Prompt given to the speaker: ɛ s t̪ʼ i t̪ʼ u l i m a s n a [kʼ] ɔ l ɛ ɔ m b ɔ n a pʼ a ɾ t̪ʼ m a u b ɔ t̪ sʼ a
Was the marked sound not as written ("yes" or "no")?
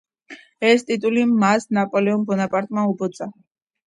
yes